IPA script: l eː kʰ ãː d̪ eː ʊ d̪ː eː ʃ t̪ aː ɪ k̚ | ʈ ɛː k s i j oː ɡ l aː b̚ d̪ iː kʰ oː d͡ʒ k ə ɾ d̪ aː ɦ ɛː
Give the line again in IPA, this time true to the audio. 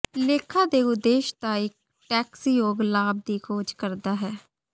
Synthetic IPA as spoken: l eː kʰ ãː d̪ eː ʊ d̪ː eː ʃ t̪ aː ɪ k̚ | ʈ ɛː k s i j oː ɡ l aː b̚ d̪ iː kʰ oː d͡ʒ k ə ɾ d̪ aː ɦ ɛː